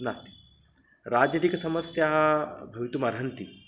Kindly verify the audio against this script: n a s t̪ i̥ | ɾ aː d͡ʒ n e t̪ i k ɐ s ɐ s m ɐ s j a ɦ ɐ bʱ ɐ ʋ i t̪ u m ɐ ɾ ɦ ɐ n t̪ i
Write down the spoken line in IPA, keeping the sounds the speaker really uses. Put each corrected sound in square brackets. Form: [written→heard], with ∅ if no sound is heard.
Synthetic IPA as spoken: n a s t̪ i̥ | ɾ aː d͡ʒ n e t̪ i k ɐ s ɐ [s→∅] m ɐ s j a ɦ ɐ bʱ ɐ ʋ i t̪ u m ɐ ɾ ɦ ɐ n t̪ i